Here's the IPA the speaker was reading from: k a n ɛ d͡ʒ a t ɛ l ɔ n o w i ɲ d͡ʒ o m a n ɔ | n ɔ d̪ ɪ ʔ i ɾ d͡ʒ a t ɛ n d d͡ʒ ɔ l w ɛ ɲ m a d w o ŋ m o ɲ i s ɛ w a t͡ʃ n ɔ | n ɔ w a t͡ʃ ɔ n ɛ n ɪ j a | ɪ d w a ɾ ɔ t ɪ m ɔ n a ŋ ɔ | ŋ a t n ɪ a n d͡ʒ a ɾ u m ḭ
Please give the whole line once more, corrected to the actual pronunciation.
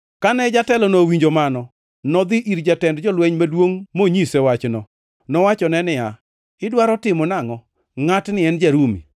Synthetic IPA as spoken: k a n ɛ d͡ʒ a t ɛ l ɔ n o w i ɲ d͡ʒ o m a n ɔ | n ɔ d̪ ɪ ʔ i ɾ d͡ʒ a t ɛ n d d͡ʒ ɔ l w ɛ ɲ m a d w o ŋ m o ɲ i s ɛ w a t͡ʃ n ɔ | n ɔ w a t͡ʃ ɔ n ɛ n ɪ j a | ɪ d w a ɾ ɔ t ɪ m ɔ n a ŋ ɔ | ŋ a t n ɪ ɛ n d͡ʒ a ɾ u m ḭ